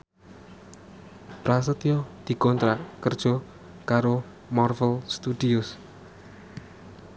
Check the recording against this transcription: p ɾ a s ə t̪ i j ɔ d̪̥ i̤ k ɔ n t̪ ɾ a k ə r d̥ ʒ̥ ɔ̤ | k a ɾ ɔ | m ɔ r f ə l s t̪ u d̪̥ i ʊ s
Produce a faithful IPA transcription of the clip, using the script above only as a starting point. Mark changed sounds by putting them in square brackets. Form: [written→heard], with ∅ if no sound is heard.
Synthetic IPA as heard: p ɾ a s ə t̪ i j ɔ d̪̥ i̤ k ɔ n t̪ ɾ a k ə r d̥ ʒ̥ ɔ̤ | k a ɾ [ɔ→o] | m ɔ r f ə l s t̪ u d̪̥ i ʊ s